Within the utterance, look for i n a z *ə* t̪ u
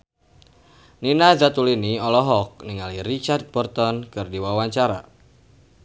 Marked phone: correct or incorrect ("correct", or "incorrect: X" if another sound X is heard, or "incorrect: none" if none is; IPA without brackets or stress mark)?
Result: incorrect: a